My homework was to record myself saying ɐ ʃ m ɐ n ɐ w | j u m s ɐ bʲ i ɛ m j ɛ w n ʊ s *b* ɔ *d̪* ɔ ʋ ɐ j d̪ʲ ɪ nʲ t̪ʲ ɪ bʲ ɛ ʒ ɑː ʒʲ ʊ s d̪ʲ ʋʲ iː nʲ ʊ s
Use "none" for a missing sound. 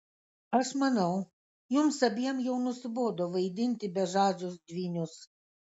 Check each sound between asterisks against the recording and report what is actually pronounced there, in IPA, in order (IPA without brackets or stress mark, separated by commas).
b, d̪